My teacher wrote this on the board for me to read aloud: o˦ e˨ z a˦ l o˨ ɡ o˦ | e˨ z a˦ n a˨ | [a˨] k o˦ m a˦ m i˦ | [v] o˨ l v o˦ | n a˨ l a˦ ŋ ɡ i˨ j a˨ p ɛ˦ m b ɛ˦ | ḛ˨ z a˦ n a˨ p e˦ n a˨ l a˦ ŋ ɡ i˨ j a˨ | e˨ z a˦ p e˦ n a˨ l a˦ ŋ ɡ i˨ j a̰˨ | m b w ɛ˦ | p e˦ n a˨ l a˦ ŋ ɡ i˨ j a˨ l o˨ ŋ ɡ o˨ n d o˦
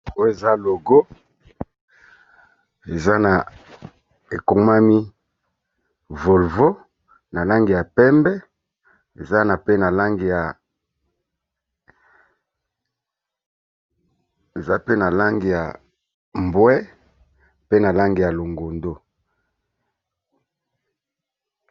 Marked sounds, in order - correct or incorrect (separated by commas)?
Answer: incorrect, correct